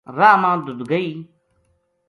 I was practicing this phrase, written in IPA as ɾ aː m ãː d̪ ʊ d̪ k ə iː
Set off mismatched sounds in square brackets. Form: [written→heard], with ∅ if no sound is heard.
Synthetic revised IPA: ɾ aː m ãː d̪ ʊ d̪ [k→ɡ] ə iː